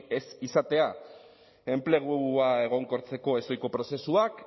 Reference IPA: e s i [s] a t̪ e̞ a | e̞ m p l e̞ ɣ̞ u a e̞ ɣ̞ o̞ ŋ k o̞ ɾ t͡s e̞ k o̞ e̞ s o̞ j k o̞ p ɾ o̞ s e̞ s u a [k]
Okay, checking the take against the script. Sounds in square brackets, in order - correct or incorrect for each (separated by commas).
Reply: correct, correct